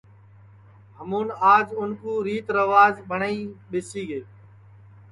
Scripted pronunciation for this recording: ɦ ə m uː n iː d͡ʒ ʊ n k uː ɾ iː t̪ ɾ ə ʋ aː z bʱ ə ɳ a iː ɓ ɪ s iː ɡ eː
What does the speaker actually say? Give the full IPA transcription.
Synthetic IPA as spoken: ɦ ə m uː n aː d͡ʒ ʊ n k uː ɾ iː t̪ ɾ ə ʋ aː z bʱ ə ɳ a iː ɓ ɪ s iː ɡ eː